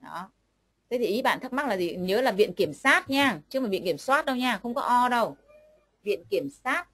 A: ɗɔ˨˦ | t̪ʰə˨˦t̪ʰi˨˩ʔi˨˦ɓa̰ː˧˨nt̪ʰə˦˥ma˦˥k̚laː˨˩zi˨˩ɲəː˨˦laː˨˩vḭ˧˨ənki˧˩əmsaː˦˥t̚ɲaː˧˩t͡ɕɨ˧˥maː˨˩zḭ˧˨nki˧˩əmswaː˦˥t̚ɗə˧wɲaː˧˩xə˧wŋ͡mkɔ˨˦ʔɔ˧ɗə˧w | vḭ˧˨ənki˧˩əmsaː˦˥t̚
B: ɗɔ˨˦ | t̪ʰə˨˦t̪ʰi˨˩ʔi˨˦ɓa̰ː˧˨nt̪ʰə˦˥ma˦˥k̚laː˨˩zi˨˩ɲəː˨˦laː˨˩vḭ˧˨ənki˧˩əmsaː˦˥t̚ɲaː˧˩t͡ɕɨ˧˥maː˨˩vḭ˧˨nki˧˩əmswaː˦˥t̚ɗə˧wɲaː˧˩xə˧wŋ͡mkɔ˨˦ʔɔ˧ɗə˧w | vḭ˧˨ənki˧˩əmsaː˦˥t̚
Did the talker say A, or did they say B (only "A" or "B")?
B